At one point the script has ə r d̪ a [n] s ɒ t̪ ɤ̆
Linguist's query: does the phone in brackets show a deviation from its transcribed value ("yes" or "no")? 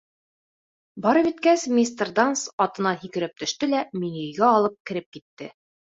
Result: no